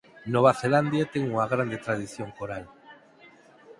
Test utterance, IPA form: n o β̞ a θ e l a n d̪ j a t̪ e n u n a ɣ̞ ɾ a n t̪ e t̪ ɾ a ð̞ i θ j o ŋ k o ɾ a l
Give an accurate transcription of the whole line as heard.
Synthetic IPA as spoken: n o β̞ a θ e l a n d̪ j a t̪ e ŋ u ŋ a ɣ̞ ɾ a n d̪ e t̪ ɾ a ð̞ i θ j o ŋ k o ɾ a l